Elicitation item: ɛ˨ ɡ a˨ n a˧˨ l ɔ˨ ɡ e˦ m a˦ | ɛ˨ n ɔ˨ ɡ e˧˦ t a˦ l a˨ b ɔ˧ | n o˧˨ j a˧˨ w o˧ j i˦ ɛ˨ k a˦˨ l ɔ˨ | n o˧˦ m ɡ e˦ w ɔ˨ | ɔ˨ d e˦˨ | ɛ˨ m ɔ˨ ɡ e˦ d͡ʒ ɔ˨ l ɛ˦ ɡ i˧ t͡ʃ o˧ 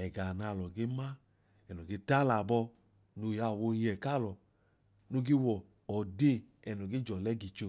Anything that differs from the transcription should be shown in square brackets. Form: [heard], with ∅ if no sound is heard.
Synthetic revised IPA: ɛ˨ ɡ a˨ n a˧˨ l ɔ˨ ɡ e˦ m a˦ | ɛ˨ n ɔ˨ ɡ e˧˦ t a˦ l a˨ b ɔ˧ | n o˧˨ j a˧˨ w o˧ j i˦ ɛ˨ k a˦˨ l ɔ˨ | n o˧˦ [∅] ɡ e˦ w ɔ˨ | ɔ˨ d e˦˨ | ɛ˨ [n] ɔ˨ ɡ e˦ d͡ʒ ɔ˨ l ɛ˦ ɡ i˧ t͡ʃ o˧